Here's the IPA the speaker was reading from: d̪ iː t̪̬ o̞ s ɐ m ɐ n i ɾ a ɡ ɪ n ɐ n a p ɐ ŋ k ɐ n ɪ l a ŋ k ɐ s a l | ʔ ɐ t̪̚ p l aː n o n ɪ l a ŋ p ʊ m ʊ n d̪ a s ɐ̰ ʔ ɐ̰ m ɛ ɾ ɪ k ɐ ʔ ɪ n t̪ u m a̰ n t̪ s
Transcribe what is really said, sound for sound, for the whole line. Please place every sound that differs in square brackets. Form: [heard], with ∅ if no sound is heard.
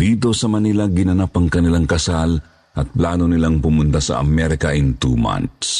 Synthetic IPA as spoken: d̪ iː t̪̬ o̞ s ɐ m ɐ n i [l] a ɡ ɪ n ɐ n a p ɐ ŋ k ɐ n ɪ l a ŋ k ɐ s a l | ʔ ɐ t̪̚ p l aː n o n ɪ l a ŋ p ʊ m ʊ n [t̪] a s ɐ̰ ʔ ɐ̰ m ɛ ɾ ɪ k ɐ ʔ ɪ n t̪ u m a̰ n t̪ s